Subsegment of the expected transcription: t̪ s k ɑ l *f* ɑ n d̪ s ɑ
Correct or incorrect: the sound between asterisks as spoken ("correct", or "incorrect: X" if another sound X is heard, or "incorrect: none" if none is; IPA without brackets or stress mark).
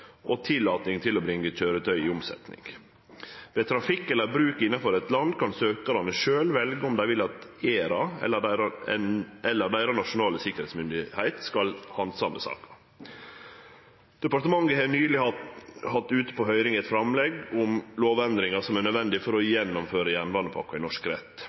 incorrect: h